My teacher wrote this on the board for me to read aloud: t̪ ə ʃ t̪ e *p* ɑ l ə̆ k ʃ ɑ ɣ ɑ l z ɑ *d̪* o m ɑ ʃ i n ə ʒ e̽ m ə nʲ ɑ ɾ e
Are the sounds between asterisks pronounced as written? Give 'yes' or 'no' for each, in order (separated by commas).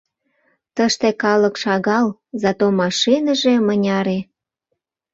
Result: no, no